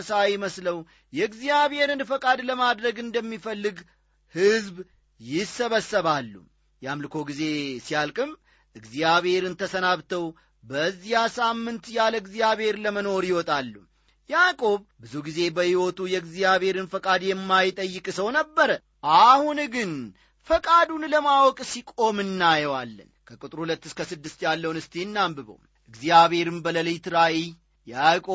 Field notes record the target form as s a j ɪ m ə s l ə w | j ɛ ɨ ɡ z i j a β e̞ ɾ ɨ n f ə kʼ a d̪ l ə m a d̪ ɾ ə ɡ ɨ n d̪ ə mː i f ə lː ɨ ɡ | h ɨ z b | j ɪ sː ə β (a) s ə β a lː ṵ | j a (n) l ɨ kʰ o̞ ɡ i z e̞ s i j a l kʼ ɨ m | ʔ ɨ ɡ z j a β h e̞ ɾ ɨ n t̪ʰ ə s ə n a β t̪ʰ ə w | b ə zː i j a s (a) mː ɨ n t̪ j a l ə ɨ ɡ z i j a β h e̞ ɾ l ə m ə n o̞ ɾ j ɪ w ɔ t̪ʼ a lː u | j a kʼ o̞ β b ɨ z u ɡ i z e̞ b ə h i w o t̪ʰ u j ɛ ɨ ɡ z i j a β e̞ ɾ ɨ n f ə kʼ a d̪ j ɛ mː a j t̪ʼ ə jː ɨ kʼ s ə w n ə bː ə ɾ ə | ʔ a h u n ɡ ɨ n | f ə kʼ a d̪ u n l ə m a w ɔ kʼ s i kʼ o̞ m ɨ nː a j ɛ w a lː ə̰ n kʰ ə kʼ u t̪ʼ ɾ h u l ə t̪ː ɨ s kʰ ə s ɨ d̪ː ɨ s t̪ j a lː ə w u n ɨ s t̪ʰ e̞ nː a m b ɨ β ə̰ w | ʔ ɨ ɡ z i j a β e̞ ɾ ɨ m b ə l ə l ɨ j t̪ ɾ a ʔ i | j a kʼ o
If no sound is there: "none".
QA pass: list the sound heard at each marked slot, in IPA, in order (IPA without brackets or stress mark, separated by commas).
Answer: ə, m, a